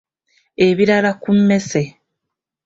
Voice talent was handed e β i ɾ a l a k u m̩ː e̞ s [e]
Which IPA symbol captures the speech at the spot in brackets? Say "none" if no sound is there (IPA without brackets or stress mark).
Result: e